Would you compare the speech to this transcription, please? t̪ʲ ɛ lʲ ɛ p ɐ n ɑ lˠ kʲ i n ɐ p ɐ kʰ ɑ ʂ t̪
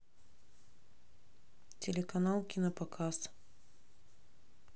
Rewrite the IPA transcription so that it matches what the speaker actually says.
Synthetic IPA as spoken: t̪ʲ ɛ lʲ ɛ k ɐ n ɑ lˠ kʲ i n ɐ p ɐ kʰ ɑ s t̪